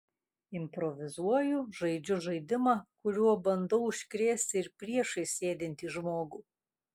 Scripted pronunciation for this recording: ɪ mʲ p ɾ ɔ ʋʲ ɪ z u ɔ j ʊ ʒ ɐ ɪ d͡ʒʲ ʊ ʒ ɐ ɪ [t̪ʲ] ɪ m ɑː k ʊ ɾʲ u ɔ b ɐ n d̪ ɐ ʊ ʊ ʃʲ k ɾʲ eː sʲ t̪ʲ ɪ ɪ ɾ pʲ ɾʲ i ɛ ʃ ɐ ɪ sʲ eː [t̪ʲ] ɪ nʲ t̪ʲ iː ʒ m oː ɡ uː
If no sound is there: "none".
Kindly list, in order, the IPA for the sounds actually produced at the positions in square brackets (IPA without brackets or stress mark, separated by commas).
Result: d̪ʲ, d̪ʲ